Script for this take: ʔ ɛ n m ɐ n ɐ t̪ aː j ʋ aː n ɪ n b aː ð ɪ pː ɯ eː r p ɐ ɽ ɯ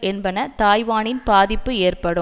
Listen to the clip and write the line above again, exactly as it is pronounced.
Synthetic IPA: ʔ ɛ n b ɐ n ɐ t̪ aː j ʋ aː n ɪ n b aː ð ɪ pː ɯ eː r p ɐ ɽ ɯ

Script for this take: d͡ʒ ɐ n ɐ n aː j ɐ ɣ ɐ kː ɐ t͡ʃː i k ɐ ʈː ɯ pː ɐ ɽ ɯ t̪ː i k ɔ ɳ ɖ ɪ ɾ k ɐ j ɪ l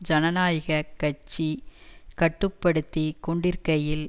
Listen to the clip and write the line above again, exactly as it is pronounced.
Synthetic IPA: d͡ʒ ɐ n ɐ n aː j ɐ ɣ ɐ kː ɐ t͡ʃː i k ɐ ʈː ɯ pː ɐ ɽ ɯ t̪ː i k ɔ ɳ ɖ ɪ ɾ k ɐ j ɪ l

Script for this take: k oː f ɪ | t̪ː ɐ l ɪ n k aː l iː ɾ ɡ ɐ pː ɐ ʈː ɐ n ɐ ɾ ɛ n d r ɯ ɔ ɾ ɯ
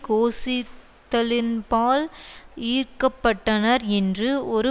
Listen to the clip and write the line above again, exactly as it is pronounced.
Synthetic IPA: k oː s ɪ | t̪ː ɐ l ɪ n p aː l iː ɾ k ɐ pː ɐ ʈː ɐ n ɐ ɾ ɛ n d r ɯ ɔ ɾ ɯ

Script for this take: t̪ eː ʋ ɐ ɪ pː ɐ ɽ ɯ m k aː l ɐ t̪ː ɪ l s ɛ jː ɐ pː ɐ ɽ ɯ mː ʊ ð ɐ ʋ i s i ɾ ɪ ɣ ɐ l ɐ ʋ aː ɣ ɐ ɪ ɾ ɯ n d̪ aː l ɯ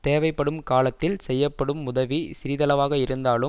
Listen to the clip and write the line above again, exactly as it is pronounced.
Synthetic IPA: t̪ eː ʋ ɐ ɪ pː ɐ ɽ ɯ m k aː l ɐ t̪ː ɪ l s ɛ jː ɐ pː ɐ ɽ ɯ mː ʊ ð ɐ ʋ i s ɪ ɾ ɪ ð ɐ l ɐ ʋ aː ɣ ɐ ɪ ɾ ɯ n d̪ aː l ɯ

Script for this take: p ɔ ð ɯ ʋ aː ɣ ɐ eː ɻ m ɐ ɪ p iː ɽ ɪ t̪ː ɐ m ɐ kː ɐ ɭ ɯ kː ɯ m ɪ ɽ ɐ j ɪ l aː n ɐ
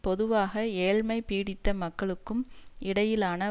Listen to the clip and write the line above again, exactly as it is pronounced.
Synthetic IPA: p ɔ ð ɯ ʋ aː ɣ ɐ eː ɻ m ɐ ɪ p iː ɽ ɪ t̪ː ɐ m ɐ kː ɐ ɭ ɯ kː ɯ m ɪ ɽ ɐ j ɪ l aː n ɐ

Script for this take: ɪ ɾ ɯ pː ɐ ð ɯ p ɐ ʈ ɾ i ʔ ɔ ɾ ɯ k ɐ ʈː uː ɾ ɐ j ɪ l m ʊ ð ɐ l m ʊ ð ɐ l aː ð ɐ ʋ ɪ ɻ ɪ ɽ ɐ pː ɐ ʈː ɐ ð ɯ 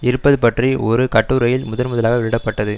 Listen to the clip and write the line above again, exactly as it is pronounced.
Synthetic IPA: ɪ ɾ ɯ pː ɐ ð ɯ p ɐ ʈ r i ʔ ɔ ɾ ɯ k ɐ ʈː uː ɾ ɐ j ɪ l m ʊ ð ɐ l m ʊ ð ɐ l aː ɣ ɐ ʋ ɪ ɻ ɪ ɽ ɐ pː ɐ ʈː ɐ ð ɯ

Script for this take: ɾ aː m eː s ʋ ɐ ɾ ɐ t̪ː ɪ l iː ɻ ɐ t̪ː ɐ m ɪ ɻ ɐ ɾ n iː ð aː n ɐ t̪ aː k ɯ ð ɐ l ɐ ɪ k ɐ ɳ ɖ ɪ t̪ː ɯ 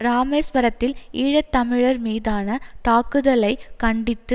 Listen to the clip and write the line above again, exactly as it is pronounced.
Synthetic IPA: ɾ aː m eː s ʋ ɐ ɾ ɐ t̪ː ɪ l iː ɻ ɐ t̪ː ɐ m ɪ ɻ ɐ ɾ m iː ð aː n ɐ t̪ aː k ɯ ð ɐ l ɐ ɪ k ɐ ɳ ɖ ɪ t̪ː ɯ

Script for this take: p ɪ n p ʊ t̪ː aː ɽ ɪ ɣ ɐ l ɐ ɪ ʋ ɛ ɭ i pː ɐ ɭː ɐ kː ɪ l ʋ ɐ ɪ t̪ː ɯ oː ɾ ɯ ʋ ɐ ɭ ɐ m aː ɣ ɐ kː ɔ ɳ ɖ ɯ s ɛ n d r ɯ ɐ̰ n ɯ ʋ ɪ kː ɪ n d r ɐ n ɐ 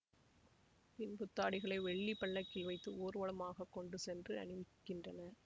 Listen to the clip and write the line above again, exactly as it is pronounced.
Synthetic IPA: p ɪ n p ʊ t̪ː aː ɽ ɪ ɣ ɐ ɭ ɐ ɪ ʋ ɛ ɭː i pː ɐ ɭː ɐ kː ɪ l ʋ ɐ ɪ t̪ː ɯ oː ɾ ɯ ʋ ɐ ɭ ɐ m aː ɣ ɐ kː ɔ ɳ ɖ ɯ s ɛ n d r ɯ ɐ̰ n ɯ ʋ ɪ kː ɪ n d r ɐ n ɐ

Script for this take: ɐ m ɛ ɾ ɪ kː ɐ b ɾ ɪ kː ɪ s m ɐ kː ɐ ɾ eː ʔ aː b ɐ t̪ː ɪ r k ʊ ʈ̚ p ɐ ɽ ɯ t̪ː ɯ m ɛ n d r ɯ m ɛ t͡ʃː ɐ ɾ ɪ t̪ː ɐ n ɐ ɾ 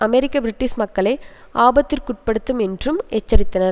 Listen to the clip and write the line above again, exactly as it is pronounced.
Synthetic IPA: ɐ m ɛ ɾ ɪ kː ɐ b ɾ ɪ ʈː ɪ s m ɐ kː ɐ ɭ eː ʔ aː b ɐ t̪ː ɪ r k ʊ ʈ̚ p ɐ ɽ ɯ t̪ː ɯ m ɛ n d r ɯ m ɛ t͡ʃː ɐ ɾ ɪ t̪ː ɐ n ɐ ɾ

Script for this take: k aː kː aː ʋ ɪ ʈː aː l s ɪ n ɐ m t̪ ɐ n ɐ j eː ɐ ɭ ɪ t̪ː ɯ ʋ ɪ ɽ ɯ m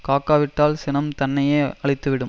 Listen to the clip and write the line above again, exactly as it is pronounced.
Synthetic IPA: k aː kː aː ʋ ɪ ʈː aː l s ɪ n ɐ m t̪ ɐ nː ɐ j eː ɐ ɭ ɪ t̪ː ɯ ʋ ɪ ɽ ɯ m

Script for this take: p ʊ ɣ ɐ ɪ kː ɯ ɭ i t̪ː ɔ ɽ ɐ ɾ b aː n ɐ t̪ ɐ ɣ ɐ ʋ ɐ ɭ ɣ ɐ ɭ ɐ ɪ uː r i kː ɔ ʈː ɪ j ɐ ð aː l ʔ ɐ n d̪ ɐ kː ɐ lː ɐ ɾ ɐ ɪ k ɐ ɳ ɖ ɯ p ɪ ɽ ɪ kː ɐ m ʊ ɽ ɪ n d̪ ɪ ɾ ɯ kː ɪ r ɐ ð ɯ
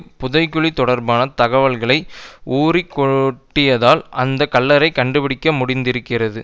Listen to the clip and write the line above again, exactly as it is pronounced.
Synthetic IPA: p ʊ ð ɐ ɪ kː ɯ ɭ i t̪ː ɔ ɽ ɐ ɾ b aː n ɐ t̪ ɐ ɣ ɐ ʋ ɐ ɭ ɣ ɐ ɭ ɐ ɪ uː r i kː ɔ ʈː ɪ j ɐ ð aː l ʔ ɐ n d̪ ɐ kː ɐ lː ɐ ɾ ɐ ɪ k ɐ ɳ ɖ ɯ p ɪ ɽ ɪ kː ɐ m ʊ ɽ ɪ n d̪ ɪ ɾ ɯ kː ɪ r ɐ ð ɯ

